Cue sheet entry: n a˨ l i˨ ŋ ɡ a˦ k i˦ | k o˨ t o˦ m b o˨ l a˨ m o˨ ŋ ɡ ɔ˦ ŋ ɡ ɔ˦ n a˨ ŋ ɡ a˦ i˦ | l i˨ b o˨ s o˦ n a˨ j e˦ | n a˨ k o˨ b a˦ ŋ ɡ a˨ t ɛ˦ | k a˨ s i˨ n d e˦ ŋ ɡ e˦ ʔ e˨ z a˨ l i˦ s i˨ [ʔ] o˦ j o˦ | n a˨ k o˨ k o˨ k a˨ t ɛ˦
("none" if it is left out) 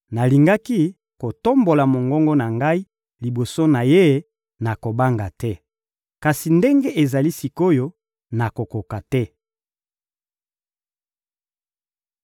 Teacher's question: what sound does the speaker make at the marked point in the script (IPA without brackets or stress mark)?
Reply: k